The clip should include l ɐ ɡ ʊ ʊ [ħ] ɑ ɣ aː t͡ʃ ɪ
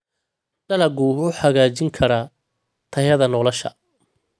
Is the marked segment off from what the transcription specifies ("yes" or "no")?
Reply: no